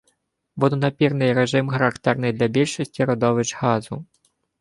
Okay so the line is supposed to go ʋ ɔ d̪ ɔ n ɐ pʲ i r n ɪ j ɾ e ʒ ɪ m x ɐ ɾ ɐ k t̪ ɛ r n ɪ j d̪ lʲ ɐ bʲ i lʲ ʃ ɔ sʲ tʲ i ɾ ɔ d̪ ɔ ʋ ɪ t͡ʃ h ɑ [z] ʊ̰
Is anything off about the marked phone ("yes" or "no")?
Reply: no